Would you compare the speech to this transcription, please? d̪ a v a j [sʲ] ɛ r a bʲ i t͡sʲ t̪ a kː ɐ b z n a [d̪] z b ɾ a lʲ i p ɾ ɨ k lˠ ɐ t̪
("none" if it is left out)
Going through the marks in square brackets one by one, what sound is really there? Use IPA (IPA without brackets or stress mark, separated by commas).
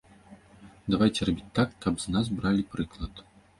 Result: t͡sʲ, none